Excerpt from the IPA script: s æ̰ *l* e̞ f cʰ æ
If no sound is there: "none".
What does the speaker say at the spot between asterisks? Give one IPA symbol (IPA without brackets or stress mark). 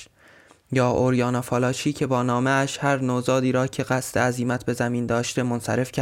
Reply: ɾ